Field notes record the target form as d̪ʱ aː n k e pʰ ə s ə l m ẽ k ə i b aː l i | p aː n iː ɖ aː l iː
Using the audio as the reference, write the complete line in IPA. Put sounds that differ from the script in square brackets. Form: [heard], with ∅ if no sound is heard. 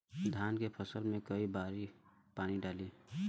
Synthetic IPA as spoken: d̪ʱ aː n k e pʰ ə s ə l m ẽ k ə i b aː [ɾ] i | p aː n [i] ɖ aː l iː